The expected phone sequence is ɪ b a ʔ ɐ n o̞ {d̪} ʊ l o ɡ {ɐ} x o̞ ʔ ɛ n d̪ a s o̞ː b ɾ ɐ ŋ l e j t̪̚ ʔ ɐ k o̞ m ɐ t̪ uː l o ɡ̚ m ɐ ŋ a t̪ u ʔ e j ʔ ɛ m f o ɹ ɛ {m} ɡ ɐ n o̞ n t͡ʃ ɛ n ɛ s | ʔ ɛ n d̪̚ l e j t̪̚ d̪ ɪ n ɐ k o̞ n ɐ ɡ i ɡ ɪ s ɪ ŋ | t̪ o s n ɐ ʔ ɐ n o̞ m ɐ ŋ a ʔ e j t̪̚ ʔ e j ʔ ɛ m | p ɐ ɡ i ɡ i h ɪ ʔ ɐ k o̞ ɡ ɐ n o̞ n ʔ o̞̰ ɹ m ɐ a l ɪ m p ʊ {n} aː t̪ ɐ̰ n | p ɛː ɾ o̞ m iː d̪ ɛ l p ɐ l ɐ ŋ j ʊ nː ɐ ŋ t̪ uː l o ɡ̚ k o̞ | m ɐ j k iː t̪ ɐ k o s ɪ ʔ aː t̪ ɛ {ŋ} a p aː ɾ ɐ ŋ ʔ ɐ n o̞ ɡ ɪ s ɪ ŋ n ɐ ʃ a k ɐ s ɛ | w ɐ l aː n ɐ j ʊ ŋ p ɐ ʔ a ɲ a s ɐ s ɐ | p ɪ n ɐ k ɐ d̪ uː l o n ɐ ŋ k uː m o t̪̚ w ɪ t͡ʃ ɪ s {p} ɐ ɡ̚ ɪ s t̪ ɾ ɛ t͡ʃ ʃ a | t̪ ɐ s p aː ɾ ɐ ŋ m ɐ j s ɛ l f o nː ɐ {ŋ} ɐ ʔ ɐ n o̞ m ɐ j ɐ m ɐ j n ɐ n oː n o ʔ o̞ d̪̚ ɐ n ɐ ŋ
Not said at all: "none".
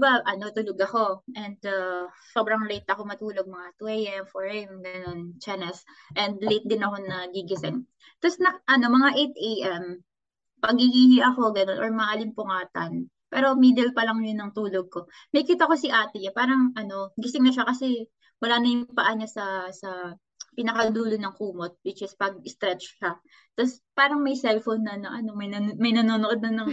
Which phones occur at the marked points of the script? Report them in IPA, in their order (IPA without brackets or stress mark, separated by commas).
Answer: t̪, ɐ, m, ŋ, ɲ, p, n